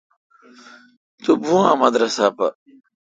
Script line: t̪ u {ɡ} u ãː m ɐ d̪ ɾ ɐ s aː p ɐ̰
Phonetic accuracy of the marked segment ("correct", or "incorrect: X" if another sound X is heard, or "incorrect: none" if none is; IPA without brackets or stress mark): incorrect: b